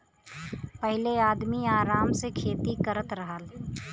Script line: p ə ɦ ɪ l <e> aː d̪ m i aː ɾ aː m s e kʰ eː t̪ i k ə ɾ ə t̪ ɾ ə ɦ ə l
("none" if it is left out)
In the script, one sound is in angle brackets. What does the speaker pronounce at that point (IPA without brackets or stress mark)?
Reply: e